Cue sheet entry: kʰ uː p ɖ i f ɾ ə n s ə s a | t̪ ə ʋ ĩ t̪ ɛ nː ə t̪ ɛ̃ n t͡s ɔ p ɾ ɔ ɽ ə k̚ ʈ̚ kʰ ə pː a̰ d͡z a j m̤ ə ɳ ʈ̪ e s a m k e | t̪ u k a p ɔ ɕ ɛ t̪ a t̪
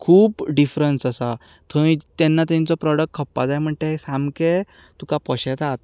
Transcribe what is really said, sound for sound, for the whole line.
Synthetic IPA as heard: kʰ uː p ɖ i f ɾ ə n s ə s a | t̪ʰ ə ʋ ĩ t̪ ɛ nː a t̪ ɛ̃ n t͡s ɔ p ɾ ɔ ɽ ə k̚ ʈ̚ kʰ ə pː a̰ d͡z a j m̤ ə ɳ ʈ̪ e s a m k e | t̪ u k a p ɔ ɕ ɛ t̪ a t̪